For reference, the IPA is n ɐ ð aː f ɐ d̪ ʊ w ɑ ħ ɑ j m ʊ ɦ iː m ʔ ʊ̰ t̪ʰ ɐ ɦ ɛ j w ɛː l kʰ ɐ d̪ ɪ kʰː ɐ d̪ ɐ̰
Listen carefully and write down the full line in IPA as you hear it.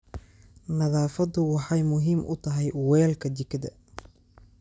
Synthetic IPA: n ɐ ð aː f ɐ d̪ ʊ w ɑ ħ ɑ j m ʊ ɦ iː m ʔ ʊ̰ t̪ʰ ɐ ɦ ɛ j w ɛː l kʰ ɐ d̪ ɪ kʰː ɐ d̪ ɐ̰